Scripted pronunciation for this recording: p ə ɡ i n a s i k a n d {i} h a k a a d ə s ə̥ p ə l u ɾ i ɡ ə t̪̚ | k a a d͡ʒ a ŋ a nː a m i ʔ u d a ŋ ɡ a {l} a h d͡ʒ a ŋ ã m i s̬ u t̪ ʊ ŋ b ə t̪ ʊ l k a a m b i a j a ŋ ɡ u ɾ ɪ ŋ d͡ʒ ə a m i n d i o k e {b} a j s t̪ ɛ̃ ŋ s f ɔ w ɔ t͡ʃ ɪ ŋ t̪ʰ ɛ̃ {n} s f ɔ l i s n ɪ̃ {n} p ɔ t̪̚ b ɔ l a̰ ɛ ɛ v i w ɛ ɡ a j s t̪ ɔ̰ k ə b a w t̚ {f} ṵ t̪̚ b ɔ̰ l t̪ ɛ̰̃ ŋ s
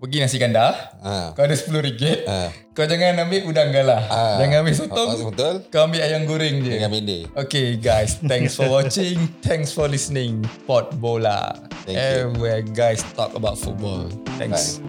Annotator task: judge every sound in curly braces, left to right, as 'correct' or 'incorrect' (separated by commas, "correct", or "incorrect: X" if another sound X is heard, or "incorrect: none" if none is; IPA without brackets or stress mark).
incorrect: a, correct, incorrect: ɡ, incorrect: ŋ, incorrect: ŋ, correct